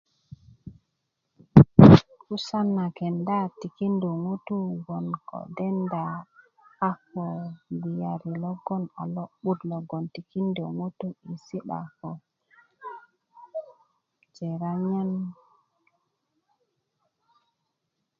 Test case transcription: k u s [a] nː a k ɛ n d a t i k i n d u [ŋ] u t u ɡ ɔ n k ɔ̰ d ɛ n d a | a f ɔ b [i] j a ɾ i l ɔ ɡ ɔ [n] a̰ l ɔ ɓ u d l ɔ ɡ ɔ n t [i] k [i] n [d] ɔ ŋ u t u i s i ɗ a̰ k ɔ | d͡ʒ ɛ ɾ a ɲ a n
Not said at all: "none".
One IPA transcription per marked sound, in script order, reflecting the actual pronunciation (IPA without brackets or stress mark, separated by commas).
a, ŋ, i, n, i, i, d